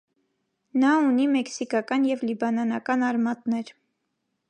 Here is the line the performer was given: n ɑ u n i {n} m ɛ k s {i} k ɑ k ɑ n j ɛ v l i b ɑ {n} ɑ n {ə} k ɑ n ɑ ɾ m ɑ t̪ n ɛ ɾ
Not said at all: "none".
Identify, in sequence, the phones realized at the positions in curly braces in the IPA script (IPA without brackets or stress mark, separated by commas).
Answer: none, i, n, ɑ